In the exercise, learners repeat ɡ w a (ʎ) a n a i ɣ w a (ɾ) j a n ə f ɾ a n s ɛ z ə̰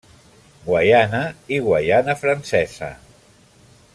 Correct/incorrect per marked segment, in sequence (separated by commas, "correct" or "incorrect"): incorrect, incorrect